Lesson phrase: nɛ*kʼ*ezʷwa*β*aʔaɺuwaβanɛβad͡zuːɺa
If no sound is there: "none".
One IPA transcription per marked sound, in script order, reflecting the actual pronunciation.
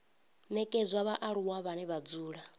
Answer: kʼ, β

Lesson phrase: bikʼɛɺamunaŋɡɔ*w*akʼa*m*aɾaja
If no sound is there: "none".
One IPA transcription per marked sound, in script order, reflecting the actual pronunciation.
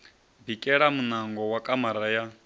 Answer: w, m

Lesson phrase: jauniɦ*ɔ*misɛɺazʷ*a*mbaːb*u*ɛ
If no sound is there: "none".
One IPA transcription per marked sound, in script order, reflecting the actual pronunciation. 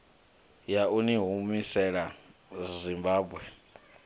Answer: u, i, w

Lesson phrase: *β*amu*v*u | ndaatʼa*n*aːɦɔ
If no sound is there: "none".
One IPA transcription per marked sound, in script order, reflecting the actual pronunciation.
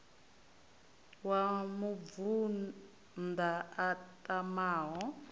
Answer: w, v, m

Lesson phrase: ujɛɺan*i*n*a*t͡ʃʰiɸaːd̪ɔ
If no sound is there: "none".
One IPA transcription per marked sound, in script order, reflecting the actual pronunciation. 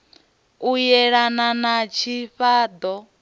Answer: a, a

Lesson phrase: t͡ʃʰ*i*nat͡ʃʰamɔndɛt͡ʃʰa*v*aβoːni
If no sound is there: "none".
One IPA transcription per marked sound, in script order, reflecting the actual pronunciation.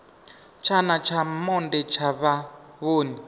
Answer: a, β

